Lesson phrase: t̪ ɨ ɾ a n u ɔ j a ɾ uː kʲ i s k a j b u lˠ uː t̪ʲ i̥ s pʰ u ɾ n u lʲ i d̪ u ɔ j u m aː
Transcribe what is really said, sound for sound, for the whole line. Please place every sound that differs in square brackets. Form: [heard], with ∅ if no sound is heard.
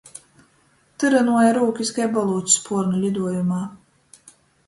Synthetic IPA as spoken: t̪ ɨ ɾ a n u ɔ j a ɾ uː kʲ i s k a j b [ɔ] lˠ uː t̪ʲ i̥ s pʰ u ɾ n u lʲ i d̪ u ɔ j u m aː